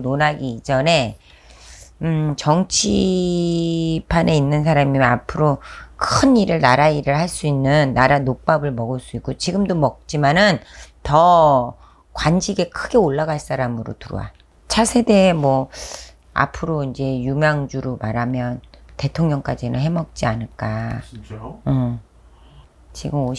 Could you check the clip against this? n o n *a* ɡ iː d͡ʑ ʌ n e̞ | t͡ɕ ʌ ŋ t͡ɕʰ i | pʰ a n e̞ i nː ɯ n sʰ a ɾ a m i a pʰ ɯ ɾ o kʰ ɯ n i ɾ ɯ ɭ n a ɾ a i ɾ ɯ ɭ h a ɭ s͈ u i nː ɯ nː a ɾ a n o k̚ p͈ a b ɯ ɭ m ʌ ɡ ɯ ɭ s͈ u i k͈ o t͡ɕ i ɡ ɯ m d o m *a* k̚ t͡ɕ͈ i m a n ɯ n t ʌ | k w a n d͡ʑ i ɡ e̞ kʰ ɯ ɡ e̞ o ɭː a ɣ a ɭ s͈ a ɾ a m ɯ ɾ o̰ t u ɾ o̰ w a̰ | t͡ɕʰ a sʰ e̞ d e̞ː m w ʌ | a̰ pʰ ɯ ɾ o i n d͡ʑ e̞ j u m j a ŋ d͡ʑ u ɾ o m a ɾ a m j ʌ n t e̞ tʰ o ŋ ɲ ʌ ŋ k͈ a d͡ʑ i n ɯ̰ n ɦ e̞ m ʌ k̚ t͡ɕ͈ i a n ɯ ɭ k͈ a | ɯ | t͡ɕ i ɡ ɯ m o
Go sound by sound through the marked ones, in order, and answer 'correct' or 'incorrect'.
correct, incorrect: ʌ

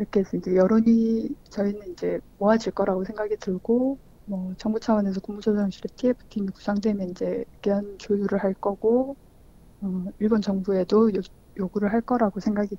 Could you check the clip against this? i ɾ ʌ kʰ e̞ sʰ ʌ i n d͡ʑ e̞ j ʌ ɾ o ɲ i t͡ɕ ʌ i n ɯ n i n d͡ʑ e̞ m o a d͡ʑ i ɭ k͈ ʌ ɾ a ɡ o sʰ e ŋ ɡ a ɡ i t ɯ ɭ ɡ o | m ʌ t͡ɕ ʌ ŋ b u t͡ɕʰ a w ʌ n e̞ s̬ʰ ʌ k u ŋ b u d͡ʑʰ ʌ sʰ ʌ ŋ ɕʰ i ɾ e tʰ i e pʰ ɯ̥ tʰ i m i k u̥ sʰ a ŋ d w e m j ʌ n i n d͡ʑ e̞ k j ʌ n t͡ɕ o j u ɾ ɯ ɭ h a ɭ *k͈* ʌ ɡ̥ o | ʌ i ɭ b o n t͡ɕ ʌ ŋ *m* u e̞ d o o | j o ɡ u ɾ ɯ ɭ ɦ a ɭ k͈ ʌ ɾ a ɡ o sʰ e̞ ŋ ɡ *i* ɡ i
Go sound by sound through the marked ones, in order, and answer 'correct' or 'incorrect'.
correct, incorrect: b, incorrect: a

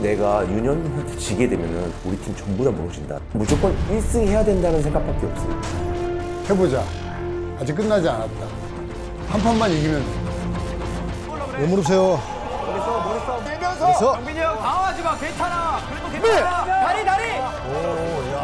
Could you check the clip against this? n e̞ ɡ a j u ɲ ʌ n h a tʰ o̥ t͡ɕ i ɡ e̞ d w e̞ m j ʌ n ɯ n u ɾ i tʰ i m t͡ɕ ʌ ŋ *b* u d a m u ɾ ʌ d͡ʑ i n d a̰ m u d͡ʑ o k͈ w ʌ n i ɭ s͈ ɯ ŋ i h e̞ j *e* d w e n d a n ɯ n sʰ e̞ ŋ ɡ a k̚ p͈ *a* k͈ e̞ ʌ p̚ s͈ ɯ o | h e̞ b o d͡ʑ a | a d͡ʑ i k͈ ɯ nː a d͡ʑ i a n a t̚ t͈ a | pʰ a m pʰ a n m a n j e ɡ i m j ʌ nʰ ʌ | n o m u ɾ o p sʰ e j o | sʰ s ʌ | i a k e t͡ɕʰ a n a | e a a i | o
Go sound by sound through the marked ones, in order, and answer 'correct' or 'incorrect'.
correct, incorrect: a, correct

